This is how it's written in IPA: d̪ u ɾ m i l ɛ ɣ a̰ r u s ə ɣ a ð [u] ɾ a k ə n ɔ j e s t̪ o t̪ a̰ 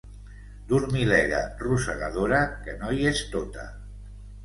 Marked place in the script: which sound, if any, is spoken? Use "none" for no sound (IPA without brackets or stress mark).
o